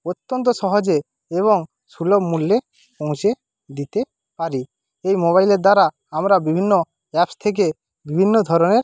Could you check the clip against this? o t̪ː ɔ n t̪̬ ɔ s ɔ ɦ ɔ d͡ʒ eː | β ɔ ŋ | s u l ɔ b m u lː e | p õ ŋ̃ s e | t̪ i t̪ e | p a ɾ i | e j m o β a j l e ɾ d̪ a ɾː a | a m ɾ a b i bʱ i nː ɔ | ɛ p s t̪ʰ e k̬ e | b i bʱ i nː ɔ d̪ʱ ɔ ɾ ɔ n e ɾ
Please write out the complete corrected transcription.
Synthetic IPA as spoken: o t̪ː ɔ n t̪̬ ɔ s ɔ ɦ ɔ d͡ʒ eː | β ɔ ŋ | s u l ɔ b m u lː e | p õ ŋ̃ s e | d̪ i t̪ e | p a ɾ i | e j m o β a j l e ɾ d̪ a ɾ a | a m ɾ a b i bʱ i nː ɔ | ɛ p s t̪ʰ e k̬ e | b i bʱ i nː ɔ d̪ʱ ɔ ɾ ɔ n e ɾ